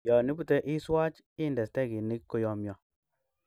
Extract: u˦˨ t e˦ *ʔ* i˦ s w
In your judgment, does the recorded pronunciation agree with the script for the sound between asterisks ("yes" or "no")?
yes